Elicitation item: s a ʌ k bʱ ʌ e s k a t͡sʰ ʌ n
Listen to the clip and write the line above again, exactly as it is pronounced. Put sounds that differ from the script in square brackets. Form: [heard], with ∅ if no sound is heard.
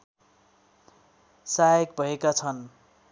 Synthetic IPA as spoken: s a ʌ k bʱ ʌ e [∅] k a t͡sʰ ʌ n